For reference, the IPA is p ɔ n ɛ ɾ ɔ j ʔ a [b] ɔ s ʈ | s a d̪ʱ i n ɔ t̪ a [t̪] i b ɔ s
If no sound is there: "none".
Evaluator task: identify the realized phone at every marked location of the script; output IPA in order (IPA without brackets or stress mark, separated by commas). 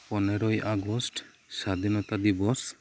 ɡ, d̪